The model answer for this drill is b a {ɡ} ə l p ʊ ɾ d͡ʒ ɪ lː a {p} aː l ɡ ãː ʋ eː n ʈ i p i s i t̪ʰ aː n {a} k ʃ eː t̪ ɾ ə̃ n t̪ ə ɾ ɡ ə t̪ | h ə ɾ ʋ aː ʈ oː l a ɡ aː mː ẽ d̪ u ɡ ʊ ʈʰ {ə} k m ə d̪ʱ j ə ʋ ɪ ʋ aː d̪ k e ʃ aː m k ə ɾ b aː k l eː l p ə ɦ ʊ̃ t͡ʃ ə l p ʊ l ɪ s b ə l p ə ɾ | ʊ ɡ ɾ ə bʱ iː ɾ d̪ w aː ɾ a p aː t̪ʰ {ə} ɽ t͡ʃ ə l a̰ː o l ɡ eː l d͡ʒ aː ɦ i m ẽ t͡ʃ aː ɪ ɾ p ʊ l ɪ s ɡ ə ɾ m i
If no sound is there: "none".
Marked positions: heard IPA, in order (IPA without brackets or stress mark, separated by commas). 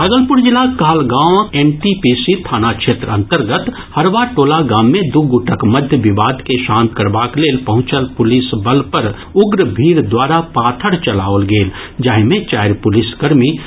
ɡ, k, a, ə, ə